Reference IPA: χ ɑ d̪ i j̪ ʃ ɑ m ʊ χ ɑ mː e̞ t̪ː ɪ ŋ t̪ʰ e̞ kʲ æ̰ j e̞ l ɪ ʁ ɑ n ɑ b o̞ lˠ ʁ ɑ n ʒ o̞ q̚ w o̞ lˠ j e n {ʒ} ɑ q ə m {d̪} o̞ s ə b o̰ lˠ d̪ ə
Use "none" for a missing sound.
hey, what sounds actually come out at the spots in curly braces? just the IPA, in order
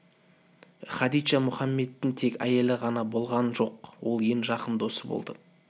ʒ, d̪

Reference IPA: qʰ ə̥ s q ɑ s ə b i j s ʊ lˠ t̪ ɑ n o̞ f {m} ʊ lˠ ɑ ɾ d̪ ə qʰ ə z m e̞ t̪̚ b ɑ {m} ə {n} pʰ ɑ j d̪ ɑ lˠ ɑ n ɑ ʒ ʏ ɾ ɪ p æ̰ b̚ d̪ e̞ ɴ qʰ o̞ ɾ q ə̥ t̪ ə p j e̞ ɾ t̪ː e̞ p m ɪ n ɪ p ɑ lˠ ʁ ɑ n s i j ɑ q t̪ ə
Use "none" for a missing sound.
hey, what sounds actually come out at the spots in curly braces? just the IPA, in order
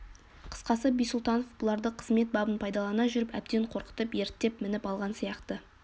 b, b, n

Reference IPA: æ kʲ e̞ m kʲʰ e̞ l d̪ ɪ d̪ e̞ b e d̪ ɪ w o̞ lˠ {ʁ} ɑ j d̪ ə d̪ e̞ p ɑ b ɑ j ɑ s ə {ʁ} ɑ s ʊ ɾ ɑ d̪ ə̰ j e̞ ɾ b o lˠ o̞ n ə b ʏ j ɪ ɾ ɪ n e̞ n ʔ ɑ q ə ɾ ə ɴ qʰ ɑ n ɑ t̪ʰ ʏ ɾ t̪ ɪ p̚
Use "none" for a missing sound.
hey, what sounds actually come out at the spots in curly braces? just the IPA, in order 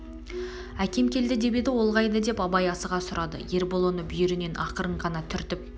ʁ, ʁ

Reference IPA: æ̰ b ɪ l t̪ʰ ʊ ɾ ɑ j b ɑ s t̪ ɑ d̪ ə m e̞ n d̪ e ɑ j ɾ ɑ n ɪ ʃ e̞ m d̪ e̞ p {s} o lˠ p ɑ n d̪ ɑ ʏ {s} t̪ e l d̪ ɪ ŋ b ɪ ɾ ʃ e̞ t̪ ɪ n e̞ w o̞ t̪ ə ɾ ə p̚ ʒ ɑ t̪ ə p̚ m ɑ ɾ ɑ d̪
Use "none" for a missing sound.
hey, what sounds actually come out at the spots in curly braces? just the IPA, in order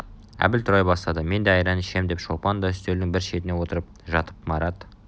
ʃ, s

